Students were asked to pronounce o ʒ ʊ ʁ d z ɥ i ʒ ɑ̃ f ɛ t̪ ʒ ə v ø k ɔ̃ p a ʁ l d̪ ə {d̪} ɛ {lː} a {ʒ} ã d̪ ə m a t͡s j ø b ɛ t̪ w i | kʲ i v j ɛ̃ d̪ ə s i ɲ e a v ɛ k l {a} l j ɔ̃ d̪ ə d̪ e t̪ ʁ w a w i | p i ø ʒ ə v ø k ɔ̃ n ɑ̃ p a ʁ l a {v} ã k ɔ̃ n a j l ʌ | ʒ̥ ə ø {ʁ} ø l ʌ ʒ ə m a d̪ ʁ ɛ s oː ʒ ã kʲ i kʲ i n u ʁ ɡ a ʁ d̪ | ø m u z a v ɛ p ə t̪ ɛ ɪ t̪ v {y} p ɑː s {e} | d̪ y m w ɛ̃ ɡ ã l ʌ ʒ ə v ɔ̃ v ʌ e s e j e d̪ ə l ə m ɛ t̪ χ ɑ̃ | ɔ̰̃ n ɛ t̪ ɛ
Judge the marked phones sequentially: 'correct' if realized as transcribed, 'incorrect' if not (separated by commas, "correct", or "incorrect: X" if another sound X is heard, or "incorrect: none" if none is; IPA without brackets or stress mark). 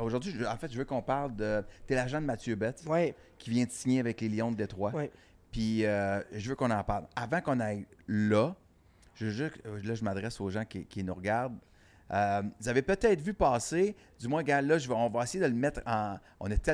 incorrect: t̪, incorrect: l, correct, incorrect: e, correct, incorrect: ʒ, correct, correct